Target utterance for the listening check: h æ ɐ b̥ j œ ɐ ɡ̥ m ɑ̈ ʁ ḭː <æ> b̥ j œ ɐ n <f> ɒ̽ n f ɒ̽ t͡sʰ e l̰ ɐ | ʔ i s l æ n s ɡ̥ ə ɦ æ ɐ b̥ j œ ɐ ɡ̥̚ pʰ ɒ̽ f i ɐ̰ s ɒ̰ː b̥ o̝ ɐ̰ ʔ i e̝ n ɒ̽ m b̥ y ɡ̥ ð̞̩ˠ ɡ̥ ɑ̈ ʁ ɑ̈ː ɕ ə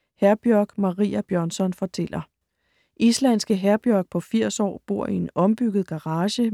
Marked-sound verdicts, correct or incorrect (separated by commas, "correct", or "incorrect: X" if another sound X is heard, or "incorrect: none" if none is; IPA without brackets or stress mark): correct, incorrect: s